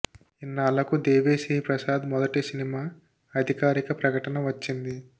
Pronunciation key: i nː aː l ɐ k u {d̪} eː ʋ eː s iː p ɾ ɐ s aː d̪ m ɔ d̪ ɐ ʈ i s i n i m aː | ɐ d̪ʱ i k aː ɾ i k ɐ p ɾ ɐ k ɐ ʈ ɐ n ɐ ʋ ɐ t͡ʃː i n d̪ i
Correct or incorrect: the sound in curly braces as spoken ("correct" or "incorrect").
correct